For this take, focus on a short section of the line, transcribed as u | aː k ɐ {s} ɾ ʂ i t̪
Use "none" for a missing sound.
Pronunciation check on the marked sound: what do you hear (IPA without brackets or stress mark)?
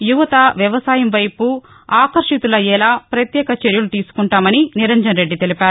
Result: none